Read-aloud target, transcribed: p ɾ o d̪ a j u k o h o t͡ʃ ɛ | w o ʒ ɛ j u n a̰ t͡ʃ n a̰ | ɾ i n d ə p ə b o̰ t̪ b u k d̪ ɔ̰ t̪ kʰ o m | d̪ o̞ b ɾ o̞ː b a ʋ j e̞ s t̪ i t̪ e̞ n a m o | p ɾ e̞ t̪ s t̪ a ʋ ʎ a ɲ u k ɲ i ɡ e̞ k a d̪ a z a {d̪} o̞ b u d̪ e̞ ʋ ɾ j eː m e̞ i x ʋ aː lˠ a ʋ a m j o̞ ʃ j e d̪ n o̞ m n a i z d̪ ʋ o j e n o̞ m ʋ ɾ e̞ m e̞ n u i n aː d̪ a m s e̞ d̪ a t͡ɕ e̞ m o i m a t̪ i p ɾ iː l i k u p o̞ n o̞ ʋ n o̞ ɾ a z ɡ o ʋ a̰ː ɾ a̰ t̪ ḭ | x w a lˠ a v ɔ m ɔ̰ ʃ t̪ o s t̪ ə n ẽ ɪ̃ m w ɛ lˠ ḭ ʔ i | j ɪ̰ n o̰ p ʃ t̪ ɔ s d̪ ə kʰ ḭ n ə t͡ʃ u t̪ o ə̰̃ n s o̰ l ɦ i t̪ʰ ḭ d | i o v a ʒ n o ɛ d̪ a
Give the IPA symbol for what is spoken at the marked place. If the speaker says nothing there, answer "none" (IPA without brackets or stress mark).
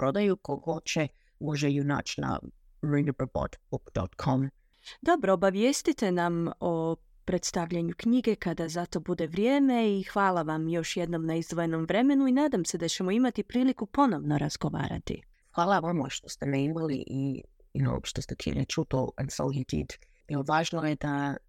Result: t̪